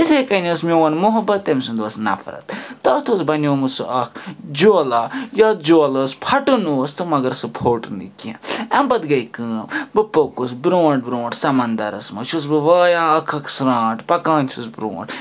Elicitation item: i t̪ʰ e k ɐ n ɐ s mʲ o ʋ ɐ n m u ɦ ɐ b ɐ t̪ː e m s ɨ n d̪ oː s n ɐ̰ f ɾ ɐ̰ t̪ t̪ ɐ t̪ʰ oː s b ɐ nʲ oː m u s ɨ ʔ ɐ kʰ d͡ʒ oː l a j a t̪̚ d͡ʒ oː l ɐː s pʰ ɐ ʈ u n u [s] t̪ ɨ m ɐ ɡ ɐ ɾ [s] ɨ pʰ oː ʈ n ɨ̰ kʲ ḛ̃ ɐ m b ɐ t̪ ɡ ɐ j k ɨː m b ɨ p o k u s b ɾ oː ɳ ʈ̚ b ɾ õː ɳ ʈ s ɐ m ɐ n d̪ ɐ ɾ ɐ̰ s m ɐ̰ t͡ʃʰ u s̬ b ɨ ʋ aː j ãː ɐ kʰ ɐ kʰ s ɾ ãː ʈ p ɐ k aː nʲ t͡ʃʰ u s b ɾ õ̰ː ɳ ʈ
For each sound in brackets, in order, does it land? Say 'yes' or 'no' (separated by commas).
yes, yes